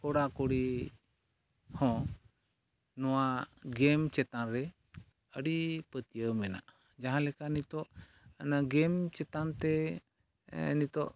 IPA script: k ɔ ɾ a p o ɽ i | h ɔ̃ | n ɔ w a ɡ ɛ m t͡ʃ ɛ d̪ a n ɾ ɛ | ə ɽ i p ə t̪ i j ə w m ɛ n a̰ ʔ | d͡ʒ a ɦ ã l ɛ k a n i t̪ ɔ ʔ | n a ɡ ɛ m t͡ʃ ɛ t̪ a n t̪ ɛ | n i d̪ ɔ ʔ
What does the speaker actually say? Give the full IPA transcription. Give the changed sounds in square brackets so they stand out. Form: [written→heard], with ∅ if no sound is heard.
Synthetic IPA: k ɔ [ɾ→ɽ] a [p→k] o ɽ i | h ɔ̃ | n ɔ w a ɡ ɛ m t͡ʃ ɛ [d̪→t̪] a n ɾ ɛ | ə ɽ i p ə t̪ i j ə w m ɛ n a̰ ʔ | d͡ʒ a ɦ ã l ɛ k a n i t̪ ɔ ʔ | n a ɡ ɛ m t͡ʃ ɛ t̪ a n t̪ ɛ | n i [d̪→t̪] ɔ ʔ

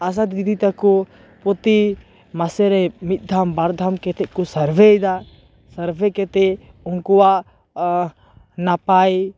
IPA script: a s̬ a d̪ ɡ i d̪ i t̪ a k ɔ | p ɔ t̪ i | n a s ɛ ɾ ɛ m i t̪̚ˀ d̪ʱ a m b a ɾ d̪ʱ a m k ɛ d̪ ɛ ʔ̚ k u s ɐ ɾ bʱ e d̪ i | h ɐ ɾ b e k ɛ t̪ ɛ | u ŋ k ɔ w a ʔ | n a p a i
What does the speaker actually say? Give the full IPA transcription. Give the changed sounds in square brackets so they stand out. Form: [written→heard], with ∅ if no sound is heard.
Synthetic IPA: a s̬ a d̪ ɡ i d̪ i t̪ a k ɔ | p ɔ t̪ i | [n→m] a s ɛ ɾ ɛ m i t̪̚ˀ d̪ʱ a m b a ɾ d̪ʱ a m k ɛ [d̪→t̪] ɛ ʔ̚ k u s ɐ ɾ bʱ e d̪ [i→a] | [h→s] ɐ ɾ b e k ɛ t̪ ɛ | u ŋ k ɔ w a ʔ | n a p a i

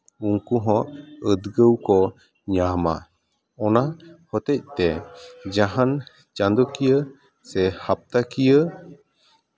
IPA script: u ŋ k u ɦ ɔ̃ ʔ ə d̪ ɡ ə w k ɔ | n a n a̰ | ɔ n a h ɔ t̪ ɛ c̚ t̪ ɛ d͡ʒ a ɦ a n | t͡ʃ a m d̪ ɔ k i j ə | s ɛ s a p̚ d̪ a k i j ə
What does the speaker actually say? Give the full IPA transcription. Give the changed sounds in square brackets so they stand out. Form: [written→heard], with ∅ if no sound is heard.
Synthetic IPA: u ŋ k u ɦ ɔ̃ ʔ ə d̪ ɡ ə w k ɔ | [n→ɲ] a [n→m] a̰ | ɔ n a h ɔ t̪ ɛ c̚ t̪ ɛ d͡ʒ a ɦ a n | t͡ʃ a [m→n] d̪ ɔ k i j ə | s ɛ [s→h] a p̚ [d̪→t̪] a k i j ə

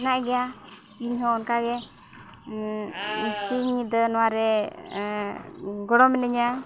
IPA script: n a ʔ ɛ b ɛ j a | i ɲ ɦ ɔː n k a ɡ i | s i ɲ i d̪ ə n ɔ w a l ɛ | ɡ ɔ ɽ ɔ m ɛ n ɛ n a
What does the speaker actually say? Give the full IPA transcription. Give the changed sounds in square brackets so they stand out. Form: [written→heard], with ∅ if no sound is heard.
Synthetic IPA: n a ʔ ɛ [b→ɡ] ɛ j a | i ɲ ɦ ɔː n k a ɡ [i→ɛ] | s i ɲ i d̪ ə n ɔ w a [l→ɾ] ɛ | ɡ ɔ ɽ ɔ m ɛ n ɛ [n→ɲ] a

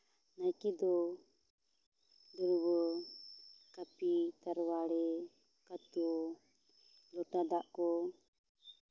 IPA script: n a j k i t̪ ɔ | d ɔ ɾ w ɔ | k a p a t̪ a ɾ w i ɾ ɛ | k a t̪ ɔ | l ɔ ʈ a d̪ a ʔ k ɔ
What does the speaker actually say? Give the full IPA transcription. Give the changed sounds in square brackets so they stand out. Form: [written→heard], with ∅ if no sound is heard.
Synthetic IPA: n a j k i [t̪→d̪] ɔ | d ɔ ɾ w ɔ | k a p [a→i] t̪ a ɾ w [i→a] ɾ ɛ | k a t̪ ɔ | l ɔ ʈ a d̪ a ʔ k ɔ

